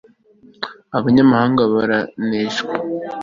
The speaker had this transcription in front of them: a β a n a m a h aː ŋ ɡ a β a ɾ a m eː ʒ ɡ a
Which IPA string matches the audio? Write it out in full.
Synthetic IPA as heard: a β a ɲ a m a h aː ŋ ɡ a β a ɾ a n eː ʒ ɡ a